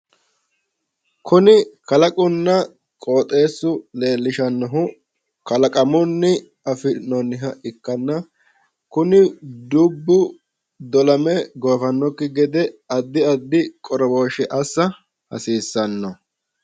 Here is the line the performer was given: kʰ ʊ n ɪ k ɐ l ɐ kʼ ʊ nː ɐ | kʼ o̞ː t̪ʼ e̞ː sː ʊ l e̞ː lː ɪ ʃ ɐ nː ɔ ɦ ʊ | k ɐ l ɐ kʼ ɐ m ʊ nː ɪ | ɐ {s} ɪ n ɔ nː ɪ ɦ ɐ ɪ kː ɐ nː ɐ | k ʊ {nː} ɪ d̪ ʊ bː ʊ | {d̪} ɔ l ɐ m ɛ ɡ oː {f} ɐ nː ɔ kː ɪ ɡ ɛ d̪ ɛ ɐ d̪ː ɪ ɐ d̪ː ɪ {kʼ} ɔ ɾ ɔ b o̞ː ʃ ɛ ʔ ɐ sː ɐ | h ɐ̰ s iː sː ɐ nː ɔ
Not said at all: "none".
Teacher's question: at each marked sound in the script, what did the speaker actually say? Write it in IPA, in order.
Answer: f, n, d̪, f, kʼ

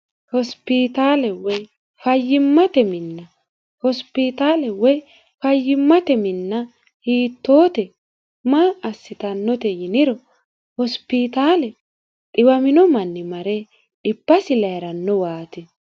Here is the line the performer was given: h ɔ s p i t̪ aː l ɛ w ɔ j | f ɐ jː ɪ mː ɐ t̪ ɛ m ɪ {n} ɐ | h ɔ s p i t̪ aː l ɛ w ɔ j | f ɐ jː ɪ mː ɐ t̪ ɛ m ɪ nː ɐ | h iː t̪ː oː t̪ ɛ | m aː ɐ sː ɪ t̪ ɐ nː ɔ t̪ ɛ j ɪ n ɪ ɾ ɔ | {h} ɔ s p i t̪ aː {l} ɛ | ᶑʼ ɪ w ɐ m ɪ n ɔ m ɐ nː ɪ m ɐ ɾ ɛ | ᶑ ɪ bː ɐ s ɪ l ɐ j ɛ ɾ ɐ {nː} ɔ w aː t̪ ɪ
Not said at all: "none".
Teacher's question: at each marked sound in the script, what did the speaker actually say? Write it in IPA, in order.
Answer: nː, h, l, nː

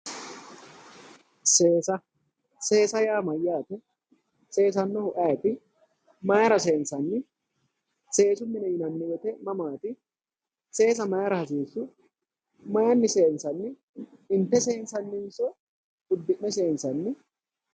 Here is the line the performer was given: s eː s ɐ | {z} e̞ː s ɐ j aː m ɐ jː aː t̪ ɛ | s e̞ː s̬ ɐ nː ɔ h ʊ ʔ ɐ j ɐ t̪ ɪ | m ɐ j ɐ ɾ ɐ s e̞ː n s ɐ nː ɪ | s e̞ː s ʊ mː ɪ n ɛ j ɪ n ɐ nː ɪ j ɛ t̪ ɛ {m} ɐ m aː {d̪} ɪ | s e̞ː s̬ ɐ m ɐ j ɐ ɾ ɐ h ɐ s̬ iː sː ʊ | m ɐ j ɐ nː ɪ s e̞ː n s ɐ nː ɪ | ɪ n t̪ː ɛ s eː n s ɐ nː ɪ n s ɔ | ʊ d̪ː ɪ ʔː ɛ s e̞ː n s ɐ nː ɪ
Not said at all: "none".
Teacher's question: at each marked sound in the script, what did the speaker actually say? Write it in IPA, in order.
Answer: s, m, t̪

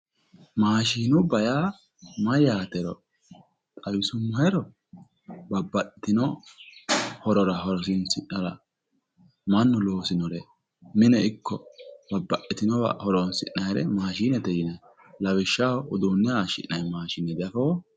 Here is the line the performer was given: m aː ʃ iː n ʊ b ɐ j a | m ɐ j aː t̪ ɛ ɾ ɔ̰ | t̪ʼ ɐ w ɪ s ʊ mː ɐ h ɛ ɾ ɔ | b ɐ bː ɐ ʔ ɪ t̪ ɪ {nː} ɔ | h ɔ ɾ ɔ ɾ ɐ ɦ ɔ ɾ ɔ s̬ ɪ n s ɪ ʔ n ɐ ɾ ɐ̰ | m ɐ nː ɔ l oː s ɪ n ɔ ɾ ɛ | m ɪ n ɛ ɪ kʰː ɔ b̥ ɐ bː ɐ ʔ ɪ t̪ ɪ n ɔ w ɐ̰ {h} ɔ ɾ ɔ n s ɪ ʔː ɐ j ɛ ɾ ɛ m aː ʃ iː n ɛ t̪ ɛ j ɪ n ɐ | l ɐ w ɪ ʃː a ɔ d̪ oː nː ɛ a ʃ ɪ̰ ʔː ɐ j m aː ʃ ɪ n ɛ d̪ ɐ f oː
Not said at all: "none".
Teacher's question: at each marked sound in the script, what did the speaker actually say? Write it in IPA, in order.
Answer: n, h

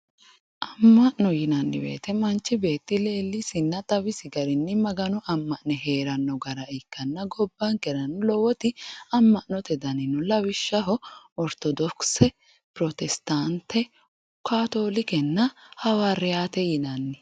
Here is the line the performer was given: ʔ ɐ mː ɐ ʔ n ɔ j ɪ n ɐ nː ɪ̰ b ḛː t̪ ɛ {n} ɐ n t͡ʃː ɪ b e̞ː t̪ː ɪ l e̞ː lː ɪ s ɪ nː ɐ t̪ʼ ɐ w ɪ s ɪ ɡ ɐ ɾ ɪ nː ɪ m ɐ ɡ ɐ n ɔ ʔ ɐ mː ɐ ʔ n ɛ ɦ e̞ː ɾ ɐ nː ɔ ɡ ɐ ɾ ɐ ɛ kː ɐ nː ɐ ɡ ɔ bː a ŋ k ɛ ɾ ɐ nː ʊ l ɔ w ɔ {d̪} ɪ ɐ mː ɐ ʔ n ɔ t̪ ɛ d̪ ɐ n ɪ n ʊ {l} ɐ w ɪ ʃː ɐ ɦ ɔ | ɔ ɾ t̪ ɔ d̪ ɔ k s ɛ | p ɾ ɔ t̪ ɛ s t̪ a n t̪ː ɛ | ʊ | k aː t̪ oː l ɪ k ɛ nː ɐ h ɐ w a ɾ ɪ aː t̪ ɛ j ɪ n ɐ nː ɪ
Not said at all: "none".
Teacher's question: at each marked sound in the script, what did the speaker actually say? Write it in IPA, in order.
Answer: m, t̪, l

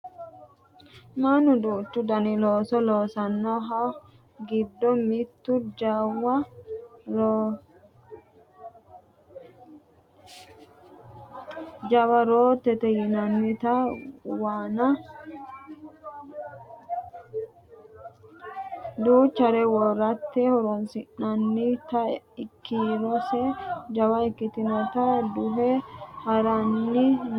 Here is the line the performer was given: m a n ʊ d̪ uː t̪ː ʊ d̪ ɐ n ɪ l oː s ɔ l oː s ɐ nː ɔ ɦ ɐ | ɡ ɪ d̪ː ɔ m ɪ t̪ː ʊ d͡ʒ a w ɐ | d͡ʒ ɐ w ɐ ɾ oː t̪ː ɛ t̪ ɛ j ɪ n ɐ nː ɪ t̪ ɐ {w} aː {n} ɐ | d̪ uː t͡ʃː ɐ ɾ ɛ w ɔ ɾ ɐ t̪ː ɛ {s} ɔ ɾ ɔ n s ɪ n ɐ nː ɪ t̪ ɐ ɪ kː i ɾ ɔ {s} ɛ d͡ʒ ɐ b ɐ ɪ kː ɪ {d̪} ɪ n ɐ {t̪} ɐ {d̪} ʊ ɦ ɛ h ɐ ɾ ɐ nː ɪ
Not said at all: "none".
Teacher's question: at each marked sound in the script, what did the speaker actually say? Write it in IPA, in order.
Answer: w, n, h, s, t̪, t̪, d̪

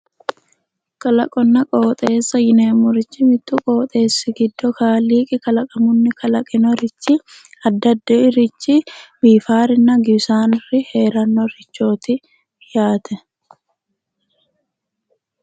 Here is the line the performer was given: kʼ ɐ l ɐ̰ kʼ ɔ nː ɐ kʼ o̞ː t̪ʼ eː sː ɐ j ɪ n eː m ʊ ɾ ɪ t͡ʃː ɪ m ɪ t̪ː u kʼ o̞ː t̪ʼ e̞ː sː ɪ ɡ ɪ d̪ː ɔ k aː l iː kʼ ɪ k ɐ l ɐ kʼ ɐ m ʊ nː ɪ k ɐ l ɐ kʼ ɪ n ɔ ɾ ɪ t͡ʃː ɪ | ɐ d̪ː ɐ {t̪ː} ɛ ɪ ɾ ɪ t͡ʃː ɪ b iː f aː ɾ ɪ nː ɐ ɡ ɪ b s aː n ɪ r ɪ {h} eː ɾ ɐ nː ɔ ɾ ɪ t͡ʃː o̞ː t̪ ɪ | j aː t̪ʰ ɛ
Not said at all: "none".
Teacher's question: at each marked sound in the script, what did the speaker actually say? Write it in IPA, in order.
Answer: d̪ː, h

